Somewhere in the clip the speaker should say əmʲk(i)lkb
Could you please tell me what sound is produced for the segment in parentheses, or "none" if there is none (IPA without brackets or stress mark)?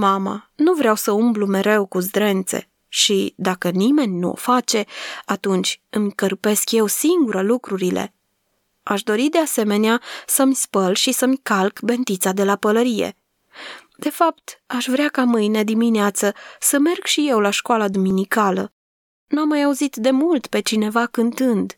a